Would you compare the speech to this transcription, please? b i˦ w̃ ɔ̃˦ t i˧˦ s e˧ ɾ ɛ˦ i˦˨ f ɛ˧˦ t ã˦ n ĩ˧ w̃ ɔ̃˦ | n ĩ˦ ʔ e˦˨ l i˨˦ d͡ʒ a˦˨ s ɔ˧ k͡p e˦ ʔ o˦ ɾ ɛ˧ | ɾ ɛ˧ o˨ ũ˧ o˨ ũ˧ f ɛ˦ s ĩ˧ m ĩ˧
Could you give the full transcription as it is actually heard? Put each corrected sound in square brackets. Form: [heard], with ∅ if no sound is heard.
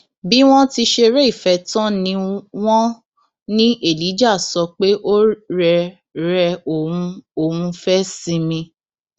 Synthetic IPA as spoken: b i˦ w̃ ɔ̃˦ t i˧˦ [ʃ] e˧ ɾ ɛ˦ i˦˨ f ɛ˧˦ t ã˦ n ĩ˧ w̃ ɔ̃˦ | n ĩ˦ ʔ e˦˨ l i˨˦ d͡ʒ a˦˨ s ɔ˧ k͡p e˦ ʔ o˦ ɾ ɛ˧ | ɾ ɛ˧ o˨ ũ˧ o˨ ũ˧ f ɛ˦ s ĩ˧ m ĩ˧